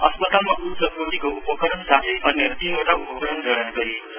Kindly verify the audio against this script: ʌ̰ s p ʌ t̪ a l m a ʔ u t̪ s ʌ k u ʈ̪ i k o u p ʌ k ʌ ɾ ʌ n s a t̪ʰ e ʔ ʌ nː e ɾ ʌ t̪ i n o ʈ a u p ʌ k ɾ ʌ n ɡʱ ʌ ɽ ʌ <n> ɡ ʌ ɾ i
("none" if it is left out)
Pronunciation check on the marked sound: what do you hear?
n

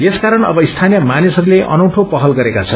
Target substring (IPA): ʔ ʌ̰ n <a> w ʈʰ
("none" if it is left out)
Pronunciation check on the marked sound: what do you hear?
ʌ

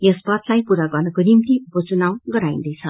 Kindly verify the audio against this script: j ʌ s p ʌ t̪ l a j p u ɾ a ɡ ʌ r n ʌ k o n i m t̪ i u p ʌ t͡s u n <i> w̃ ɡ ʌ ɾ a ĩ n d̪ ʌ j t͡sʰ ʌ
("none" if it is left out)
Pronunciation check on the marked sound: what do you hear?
a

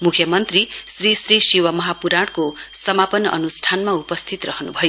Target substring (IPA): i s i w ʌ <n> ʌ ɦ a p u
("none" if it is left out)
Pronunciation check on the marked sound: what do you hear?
m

